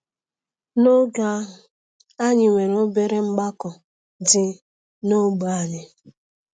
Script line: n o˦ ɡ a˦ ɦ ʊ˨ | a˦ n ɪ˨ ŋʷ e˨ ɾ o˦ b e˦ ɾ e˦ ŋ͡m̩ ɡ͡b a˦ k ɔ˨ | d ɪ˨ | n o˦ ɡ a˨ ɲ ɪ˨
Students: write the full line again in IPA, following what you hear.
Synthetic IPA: n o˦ ɡ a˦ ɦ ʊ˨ | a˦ ɲ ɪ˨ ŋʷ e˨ ɾ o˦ b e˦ ɾ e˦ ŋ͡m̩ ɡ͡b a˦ k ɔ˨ | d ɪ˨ | n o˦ ɡ͡b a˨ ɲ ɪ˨